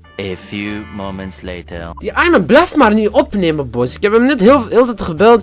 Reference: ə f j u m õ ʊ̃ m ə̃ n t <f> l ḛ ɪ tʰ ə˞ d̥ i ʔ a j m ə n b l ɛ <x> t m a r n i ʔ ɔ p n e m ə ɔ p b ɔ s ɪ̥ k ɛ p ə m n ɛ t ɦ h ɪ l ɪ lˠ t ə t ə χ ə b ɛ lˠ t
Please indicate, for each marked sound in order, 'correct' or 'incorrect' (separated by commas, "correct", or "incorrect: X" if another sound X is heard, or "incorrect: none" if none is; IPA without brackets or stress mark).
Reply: incorrect: s, incorrect: f